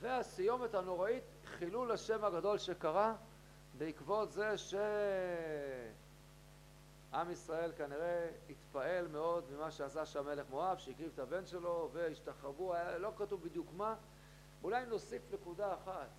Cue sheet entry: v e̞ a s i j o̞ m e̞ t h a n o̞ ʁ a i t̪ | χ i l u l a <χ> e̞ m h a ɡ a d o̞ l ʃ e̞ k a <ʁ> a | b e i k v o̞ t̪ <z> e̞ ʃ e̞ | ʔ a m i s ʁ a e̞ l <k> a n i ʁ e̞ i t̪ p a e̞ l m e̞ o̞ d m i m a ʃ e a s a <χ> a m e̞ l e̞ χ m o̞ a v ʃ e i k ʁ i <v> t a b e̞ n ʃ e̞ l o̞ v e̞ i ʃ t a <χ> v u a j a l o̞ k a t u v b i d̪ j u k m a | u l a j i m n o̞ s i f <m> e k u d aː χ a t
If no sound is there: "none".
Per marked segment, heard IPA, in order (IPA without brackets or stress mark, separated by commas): ʃ, ʁ, z, k, ʃ, v, χ, n